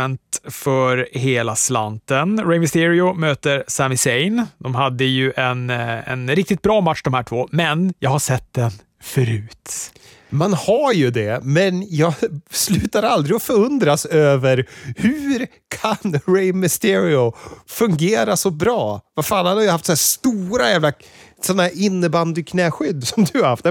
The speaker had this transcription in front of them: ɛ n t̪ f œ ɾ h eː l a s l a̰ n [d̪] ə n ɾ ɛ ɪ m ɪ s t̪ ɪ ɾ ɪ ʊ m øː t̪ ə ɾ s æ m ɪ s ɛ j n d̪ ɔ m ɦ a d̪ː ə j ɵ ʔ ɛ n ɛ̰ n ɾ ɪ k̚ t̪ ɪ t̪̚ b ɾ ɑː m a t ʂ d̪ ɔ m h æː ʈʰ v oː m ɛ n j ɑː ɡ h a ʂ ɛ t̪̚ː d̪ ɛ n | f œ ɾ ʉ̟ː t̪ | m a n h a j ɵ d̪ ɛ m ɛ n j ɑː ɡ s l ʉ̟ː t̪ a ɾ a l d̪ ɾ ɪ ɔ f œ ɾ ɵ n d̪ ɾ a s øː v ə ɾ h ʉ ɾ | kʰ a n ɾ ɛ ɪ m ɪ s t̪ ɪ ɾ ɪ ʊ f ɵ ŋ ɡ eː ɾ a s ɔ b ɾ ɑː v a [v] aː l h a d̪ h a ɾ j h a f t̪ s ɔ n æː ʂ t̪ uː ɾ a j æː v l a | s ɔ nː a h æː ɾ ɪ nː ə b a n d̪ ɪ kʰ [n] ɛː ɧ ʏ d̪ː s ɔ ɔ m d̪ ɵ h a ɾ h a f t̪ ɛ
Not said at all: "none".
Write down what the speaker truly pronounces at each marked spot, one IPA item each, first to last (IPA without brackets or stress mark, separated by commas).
t̪, f, n